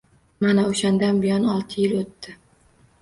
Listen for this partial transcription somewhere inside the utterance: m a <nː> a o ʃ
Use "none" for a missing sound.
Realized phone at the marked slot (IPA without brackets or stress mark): n